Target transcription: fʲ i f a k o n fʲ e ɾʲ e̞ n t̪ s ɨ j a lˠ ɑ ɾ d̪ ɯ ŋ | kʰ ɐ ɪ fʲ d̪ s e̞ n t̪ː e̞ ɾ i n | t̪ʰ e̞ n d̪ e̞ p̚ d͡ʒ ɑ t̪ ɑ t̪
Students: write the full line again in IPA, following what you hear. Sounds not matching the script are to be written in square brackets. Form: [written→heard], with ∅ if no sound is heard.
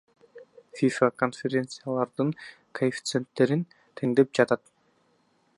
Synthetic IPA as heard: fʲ i f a k o n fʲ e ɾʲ e̞ n t̪ s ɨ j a lˠ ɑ ɾ d̪ ɯ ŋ | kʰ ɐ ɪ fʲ [d̪→t̪] s e̞ n t̪ː e̞ ɾ i n | t̪ʰ e̞ [n→ŋ] d̪ e̞ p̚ d͡ʒ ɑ t̪ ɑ t̪